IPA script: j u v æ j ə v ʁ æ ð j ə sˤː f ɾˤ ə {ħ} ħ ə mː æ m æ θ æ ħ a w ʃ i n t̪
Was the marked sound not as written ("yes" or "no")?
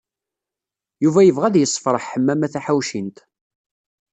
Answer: no